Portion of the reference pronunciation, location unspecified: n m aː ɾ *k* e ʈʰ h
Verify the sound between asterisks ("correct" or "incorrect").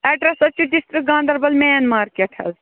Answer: correct